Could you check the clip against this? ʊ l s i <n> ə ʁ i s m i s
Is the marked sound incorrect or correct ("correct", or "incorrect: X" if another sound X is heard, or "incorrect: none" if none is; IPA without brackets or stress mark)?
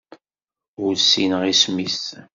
correct